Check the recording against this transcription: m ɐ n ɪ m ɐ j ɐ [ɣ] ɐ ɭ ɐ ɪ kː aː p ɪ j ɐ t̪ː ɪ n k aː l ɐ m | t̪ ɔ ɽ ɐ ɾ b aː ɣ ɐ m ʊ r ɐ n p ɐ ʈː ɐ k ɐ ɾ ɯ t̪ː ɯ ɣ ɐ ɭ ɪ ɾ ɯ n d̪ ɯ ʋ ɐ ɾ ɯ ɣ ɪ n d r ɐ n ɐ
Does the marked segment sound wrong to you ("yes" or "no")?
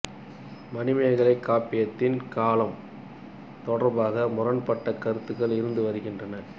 no